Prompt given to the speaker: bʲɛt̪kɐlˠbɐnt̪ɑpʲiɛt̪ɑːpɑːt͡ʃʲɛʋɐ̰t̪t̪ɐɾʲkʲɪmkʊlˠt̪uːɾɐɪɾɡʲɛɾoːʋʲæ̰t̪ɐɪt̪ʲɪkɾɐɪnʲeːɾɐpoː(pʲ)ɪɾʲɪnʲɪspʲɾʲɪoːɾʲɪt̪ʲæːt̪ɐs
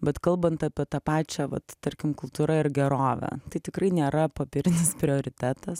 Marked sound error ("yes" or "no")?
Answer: no